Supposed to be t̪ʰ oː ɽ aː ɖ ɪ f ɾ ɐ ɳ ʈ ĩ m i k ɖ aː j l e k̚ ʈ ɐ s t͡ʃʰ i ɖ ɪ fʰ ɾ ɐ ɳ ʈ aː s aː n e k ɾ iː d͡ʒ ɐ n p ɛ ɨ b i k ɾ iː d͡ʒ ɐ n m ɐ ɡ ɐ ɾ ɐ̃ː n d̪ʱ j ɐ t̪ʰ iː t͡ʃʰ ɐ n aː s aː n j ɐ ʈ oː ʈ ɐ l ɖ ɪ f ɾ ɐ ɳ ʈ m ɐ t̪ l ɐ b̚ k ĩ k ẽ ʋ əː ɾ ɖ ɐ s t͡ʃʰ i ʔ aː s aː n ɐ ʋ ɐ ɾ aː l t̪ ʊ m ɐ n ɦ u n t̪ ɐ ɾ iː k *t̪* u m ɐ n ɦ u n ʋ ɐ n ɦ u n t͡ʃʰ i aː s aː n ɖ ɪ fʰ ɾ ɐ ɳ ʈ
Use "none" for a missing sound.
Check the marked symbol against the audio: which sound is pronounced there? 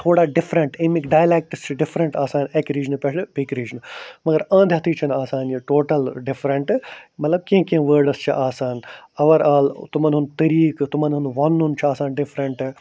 t̪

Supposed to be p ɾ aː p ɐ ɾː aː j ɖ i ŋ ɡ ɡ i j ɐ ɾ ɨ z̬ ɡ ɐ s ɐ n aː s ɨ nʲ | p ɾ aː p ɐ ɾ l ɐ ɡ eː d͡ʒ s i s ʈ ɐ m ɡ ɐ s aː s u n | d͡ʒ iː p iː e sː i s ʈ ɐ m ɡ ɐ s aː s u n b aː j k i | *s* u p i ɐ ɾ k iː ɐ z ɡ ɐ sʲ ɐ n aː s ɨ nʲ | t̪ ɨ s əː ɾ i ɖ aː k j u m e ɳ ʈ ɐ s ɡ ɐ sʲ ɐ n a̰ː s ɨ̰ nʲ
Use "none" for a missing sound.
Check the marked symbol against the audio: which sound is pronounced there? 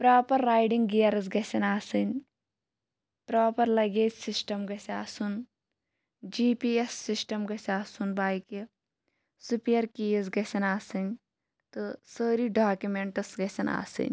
s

